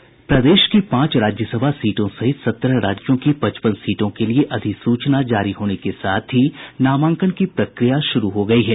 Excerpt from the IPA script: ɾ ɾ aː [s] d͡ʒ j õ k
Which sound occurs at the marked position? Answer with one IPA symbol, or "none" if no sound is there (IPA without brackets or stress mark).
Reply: none